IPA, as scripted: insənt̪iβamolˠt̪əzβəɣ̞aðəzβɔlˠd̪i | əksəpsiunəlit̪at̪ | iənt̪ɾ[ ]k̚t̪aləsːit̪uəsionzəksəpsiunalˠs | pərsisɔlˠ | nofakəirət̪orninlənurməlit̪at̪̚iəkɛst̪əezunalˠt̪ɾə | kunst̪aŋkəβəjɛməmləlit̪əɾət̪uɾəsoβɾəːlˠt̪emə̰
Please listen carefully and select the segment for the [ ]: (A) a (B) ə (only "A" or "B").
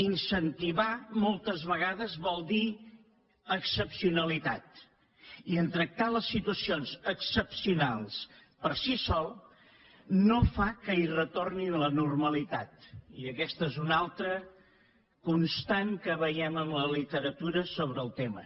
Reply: B